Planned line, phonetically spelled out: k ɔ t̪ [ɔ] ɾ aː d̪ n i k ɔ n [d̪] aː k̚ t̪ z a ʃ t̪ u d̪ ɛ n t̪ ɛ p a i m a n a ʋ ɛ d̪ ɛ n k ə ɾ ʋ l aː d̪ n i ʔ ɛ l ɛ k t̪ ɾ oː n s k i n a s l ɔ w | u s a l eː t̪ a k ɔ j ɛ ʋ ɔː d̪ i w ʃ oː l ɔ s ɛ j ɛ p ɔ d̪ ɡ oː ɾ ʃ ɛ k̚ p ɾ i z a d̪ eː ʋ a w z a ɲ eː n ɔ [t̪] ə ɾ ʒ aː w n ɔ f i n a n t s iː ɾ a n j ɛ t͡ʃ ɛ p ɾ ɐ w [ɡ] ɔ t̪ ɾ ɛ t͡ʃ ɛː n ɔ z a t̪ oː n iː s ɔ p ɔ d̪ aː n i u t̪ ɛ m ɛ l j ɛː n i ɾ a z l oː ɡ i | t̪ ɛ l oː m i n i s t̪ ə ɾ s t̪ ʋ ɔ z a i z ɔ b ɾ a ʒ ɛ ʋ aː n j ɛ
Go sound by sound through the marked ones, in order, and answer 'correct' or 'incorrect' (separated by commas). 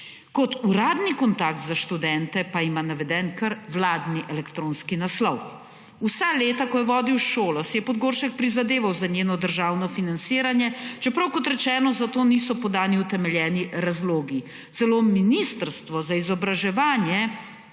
incorrect, incorrect, incorrect, incorrect